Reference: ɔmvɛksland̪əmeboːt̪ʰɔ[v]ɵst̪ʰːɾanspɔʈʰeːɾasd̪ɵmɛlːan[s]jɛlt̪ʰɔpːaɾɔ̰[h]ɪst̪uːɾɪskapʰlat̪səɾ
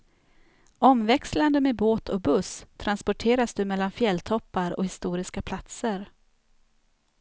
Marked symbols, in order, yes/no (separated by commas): no, no, yes